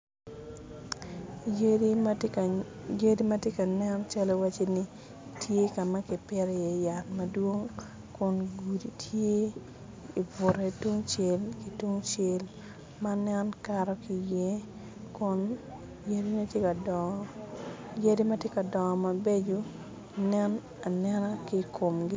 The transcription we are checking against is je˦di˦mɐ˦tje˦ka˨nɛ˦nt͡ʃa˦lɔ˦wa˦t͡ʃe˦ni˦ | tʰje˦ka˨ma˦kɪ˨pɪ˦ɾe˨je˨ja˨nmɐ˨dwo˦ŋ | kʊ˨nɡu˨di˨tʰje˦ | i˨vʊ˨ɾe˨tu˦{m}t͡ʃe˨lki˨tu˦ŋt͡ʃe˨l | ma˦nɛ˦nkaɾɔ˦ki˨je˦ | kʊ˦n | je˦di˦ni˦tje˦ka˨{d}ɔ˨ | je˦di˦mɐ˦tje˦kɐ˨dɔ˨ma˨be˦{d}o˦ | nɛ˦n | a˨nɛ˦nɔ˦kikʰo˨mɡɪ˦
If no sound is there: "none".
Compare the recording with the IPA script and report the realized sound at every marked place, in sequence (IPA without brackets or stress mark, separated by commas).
ŋ, d, d͡ʒ